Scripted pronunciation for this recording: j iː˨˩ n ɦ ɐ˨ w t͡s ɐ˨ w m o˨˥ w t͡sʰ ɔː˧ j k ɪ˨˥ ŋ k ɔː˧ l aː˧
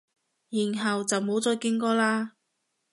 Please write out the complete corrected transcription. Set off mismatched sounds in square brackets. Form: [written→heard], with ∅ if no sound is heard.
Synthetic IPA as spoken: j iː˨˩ n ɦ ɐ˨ w t͡s ɐ˨ w m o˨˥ w [t͡sʰ→t͡s] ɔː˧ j k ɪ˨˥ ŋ k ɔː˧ l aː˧